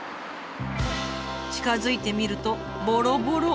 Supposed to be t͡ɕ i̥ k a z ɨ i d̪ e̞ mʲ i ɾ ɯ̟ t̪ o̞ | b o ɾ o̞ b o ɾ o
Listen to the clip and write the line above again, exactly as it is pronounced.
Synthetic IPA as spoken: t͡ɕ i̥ k a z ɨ i t̪ e̞ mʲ i ɾ ɯ̟ t̪ o̞ | b o ɾ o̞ b o ɾ o